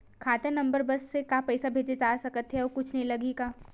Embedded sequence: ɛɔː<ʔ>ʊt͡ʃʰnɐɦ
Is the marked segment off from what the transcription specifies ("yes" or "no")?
yes